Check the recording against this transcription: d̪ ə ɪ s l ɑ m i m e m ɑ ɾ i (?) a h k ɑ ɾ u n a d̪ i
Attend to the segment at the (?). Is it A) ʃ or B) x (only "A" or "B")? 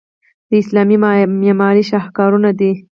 A